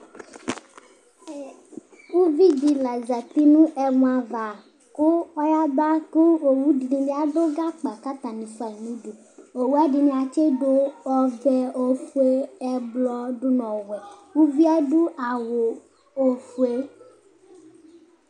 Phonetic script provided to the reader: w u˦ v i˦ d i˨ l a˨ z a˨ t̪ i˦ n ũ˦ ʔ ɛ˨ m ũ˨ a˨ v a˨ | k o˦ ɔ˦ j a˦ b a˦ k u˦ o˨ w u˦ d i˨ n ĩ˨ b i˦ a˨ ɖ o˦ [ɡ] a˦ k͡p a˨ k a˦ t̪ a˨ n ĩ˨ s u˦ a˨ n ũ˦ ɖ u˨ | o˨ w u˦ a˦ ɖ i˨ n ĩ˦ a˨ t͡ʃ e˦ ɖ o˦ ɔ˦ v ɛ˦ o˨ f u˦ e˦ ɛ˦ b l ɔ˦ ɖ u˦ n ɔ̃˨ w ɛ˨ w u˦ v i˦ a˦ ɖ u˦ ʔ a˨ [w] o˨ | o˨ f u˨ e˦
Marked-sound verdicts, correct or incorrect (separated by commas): correct, correct